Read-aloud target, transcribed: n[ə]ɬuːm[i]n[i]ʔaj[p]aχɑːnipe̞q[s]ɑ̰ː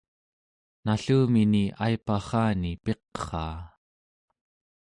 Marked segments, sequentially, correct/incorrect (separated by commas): incorrect, correct, correct, correct, incorrect